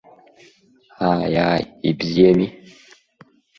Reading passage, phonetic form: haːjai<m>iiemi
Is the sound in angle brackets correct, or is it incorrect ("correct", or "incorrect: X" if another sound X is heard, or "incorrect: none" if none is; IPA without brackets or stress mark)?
incorrect: b